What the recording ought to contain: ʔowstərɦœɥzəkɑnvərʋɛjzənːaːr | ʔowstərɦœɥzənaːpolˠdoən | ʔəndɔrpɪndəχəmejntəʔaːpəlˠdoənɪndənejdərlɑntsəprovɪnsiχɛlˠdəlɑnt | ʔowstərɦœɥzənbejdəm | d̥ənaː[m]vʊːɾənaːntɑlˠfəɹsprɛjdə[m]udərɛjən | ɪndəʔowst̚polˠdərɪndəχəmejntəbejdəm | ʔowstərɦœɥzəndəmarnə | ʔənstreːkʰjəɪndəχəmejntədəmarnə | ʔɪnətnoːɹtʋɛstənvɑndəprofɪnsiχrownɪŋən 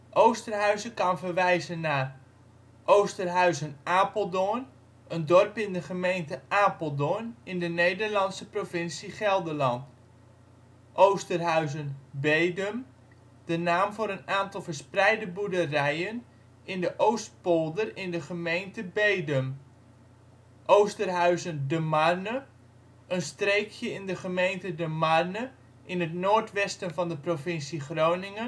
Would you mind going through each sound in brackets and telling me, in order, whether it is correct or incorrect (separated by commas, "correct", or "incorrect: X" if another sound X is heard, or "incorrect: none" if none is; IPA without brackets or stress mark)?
correct, incorrect: b